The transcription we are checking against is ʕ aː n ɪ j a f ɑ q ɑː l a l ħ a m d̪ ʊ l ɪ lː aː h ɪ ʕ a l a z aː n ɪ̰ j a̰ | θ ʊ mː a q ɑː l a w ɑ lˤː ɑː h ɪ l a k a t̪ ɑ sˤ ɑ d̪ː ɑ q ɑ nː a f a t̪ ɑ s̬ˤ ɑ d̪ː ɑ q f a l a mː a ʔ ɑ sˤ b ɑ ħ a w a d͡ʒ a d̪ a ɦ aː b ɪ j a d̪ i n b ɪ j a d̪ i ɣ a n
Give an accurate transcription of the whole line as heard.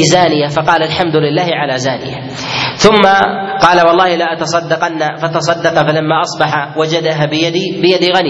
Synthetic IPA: z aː n ɪ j a f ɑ q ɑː l a l ħ a m d̪ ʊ l ɪ lː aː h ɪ ʕ a l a z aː n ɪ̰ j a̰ | θ ʊ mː a q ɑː l a w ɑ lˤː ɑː h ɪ l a ʔ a t̪ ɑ sˤ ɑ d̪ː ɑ q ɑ nː a f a t̪ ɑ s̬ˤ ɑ d̪ː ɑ q f a l a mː a ʔ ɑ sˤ b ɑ ħ a w a d͡ʒ a d̪ a ɦ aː b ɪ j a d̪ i b ɪ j a d̪ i ɣ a n